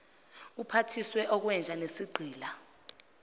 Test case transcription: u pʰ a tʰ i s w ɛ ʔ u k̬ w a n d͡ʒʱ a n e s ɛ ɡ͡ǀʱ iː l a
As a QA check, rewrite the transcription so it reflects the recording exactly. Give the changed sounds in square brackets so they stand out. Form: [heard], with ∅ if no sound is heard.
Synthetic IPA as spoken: u pʰ a tʰ i s w ɛ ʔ [ɔ] k̬ w [ɛ] n d͡ʒʱ a n e s [i] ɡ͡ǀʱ iː l a